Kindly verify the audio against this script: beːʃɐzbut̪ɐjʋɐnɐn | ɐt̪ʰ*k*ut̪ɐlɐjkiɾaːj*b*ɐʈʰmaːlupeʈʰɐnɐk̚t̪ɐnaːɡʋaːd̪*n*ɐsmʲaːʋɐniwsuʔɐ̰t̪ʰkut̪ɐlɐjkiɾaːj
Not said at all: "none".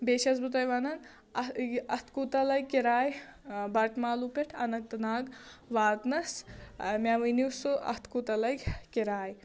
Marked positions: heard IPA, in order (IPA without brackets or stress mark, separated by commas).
k, b, n